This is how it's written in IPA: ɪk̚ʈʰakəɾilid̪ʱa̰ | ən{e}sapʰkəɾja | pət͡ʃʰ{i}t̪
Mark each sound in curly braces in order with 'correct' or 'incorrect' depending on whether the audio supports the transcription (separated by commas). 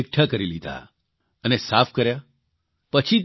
correct, correct